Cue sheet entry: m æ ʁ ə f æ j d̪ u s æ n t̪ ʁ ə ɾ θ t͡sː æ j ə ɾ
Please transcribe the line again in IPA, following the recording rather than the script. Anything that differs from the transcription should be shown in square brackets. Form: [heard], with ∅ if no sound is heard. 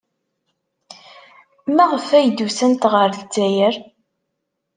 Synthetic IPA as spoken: m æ ʁ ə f æ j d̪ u s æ n t̪ ʁ ə ɾ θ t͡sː æ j ə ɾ